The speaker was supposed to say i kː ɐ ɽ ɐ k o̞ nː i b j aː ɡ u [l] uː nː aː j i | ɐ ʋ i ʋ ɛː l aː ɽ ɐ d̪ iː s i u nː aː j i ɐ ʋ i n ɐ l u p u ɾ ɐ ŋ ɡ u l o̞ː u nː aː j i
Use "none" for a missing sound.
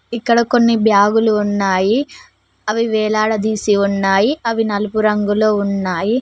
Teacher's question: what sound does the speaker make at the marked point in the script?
l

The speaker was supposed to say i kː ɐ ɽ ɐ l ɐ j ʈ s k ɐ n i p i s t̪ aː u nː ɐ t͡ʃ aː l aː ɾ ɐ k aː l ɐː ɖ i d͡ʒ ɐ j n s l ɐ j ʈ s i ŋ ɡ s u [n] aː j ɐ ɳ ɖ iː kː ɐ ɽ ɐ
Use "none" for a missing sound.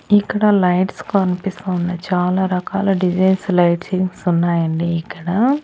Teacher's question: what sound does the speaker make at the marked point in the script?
nː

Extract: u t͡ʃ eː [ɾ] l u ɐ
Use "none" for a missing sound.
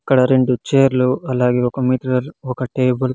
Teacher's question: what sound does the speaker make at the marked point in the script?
ɾ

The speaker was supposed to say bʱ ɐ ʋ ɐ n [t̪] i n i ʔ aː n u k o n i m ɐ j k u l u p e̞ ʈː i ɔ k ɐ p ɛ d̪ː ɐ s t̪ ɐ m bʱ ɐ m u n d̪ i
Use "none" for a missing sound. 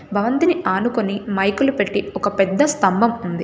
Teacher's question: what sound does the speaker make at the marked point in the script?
t̪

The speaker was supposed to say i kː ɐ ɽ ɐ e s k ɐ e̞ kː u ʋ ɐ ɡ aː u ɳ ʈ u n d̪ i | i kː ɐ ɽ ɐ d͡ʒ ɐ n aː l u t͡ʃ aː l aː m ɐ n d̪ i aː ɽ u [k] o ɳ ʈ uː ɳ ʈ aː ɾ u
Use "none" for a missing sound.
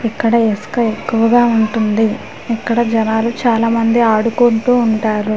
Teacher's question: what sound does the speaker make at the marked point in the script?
k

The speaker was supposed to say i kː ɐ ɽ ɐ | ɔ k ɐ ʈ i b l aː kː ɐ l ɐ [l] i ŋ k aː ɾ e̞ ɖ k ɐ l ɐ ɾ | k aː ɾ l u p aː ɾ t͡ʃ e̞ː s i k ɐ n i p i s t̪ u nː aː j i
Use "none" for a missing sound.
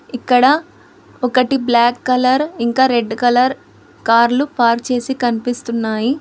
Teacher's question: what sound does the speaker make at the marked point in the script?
ɾ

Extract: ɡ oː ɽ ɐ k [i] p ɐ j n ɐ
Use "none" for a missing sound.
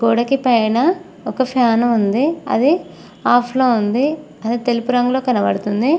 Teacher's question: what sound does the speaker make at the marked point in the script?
i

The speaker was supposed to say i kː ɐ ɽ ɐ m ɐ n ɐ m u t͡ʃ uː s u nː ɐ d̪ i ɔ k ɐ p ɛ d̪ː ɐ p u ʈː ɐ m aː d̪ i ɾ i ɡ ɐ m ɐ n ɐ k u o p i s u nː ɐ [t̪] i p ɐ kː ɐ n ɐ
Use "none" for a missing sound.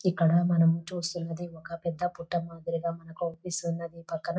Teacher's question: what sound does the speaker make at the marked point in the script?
d̪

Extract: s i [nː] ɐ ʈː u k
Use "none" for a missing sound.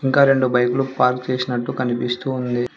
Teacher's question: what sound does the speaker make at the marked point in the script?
n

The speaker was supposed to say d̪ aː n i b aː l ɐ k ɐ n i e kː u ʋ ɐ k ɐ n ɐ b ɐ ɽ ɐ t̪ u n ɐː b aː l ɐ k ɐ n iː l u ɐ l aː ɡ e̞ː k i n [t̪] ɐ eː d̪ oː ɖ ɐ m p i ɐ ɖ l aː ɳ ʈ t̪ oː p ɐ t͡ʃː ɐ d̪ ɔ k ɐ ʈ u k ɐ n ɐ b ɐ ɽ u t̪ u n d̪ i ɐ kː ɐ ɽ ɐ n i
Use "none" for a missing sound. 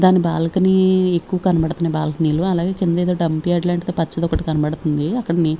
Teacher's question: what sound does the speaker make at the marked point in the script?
d̪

